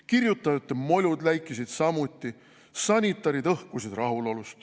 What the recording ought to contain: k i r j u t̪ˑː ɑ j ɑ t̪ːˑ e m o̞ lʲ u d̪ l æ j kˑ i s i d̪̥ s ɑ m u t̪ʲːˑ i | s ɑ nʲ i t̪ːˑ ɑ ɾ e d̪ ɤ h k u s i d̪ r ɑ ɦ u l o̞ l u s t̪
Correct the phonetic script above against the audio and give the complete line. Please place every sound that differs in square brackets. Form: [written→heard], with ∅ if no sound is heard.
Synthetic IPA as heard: k i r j u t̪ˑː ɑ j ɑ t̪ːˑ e m o̞ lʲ u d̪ l æ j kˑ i s i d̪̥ s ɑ m u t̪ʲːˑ i | s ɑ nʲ i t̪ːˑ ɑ ɾ [e→i] d̪ ɤ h k u s i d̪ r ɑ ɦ u l o̞ l u s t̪